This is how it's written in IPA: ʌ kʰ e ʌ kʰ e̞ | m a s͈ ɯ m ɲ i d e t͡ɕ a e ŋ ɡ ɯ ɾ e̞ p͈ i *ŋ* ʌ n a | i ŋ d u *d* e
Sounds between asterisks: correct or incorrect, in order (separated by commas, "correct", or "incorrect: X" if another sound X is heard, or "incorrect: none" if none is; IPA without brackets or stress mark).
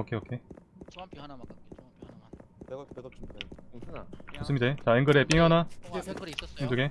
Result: correct, incorrect: ɡ